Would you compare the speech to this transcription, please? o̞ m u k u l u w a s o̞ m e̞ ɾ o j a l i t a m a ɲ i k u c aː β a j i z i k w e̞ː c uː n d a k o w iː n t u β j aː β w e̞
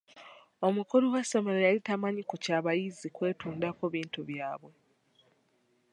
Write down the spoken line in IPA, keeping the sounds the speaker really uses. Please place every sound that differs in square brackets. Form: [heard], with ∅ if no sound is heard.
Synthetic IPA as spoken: o̞ m u k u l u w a s o̞ m e̞ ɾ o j a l i t a m a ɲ i k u c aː β a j i z i k w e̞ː [t] uː n d a k o [β] iː n t u β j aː β w e̞

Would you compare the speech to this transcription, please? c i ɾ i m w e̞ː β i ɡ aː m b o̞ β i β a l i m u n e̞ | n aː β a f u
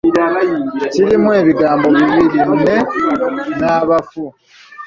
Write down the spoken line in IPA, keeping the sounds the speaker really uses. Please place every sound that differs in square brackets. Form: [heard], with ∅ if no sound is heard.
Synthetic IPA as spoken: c i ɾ i m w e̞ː β i ɡ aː m b o̞ β i β [i] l i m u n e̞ | n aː β a f u

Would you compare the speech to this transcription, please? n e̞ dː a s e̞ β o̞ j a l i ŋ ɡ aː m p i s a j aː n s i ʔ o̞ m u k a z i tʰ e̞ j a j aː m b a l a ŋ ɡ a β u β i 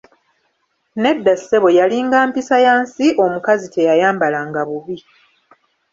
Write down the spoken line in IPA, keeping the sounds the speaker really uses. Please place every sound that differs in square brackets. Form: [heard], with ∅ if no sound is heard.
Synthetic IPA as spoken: n e̞ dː a s e̞ β o̞ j a l i ŋ ɡ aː m p i s a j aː n s i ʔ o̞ m u k a z i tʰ e̞ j a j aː m b a l a ŋ ɡ a β u β i

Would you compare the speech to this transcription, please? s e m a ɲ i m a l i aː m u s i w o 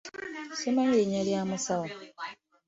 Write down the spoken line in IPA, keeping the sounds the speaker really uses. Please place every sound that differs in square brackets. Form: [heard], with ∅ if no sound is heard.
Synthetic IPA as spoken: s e m a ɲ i [ɲ] a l [j] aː m u s [a] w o

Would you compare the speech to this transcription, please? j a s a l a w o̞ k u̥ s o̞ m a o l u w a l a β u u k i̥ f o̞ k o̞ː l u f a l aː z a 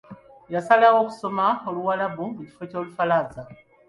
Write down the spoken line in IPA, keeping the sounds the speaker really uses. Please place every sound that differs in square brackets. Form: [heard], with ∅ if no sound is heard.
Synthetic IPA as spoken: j a s a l a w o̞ k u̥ s o̞ m a o l u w a l a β u u [c] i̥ f o̞ [c] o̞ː l u f a l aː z a

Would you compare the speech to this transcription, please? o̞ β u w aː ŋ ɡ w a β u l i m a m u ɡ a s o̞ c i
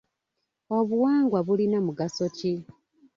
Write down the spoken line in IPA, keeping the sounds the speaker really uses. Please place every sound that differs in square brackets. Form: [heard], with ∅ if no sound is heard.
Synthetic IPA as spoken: o̞ β u w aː ŋ ɡ w a β u l i [n] a m u ɡ a s o̞ c i

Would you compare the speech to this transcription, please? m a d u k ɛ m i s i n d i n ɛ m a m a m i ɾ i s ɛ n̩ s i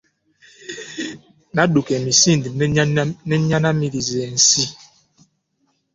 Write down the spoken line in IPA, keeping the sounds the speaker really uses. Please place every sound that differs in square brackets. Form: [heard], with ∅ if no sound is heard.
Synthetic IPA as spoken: [n] a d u k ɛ m i s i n d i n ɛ [ɲ] a [n] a m i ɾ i [z] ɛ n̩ s i

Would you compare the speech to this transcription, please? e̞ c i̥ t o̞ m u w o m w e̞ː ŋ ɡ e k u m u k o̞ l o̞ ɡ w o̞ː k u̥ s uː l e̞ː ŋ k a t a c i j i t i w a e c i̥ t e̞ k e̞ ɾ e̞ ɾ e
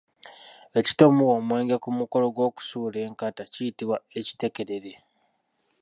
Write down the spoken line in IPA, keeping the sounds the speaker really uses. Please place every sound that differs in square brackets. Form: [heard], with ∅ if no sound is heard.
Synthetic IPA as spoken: e̞ c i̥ t o̞ m u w o m w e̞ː ŋ ɡ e k u m u k o̞ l o̞ ɡ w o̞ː k u̥ s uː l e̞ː ŋ k a t a c i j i t i w a e c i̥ t e̞ k e̞ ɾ e̞ ɾ e

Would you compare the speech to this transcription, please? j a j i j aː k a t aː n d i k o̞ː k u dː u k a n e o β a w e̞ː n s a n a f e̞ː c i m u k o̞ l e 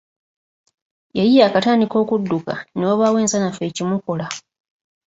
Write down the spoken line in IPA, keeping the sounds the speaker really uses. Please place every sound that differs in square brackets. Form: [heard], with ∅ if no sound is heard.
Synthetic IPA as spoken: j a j i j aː k a t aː n d i k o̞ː k u dː u k a n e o β a w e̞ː n s a n a f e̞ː c i m u k o̞ l [a]

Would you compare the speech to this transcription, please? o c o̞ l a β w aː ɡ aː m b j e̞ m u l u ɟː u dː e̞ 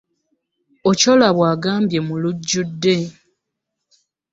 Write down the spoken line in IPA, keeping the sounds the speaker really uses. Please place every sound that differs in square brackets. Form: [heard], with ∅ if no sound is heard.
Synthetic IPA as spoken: o c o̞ l a β w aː ɡ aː m b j e̞ m u l u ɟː u dː e̞

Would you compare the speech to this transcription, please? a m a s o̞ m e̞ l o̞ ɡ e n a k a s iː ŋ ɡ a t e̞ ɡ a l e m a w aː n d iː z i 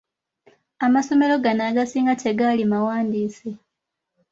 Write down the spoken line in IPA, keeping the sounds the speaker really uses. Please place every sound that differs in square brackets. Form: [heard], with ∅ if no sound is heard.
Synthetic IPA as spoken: a m a s o̞ m e̞ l o̞ ɡ [a] n a [ɡ] a s iː ŋ ɡ a t e̞ ɡ a l [i] m a w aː n d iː [s] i

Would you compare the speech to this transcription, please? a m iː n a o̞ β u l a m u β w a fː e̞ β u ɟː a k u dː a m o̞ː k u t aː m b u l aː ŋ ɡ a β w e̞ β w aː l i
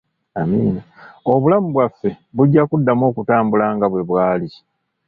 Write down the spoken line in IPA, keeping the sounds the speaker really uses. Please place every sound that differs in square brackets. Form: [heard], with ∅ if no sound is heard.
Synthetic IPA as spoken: a m iː n a o̞ β u l a m u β w a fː e̞ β u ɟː a k u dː a m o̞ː k u t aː m b u l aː ŋ ɡ a β w e̞ β w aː l i

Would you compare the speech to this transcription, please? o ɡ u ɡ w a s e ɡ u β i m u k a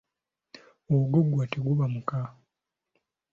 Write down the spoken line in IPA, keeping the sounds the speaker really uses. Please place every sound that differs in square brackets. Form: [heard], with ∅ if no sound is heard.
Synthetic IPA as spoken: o ɡ [o] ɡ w a [t] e ɡ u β [a] m u k a

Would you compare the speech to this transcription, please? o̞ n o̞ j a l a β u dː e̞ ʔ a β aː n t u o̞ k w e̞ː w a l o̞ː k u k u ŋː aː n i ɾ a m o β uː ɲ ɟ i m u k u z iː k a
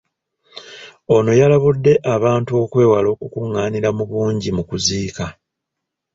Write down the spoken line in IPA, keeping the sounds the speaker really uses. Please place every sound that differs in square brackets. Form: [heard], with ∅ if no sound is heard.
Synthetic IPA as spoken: o̞ n o̞ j a l a β u dː e̞ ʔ a β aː n t u o̞ k w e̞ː w a l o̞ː k u k u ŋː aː n i ɾ a m [u] β uː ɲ ɟ i m u k u z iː k a

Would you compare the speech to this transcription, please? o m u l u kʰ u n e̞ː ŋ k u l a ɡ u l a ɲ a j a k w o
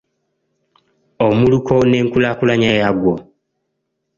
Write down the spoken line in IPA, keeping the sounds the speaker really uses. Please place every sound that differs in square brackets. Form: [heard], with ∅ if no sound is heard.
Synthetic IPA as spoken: o m u l u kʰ [o] n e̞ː ŋ k u l a [k] u l a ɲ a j a [ɡ] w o

